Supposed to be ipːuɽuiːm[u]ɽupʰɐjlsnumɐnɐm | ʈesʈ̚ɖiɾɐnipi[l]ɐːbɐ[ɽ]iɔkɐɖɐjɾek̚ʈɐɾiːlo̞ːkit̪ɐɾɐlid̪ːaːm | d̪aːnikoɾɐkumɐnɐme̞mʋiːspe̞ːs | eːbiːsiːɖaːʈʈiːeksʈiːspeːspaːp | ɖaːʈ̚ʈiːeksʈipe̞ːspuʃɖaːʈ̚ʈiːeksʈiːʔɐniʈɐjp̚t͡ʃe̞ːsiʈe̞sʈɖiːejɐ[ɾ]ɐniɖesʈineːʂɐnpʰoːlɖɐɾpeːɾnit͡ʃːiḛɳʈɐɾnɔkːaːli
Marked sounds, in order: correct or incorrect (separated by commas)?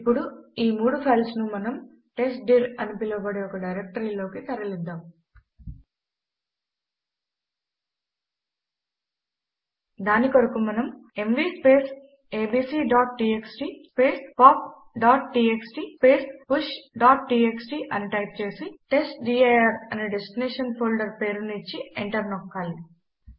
incorrect, correct, correct, correct